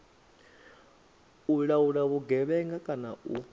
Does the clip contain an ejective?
yes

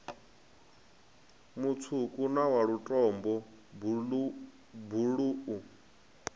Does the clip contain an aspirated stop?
yes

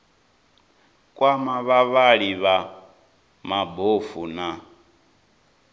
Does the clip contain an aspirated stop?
no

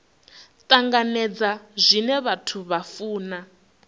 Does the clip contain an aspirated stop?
yes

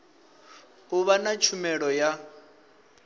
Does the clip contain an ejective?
no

